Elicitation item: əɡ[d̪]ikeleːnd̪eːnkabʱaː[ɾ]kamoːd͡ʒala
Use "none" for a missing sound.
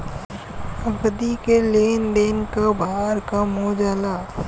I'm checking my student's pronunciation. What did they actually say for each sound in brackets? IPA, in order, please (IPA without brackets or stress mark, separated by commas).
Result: d̪, ɾ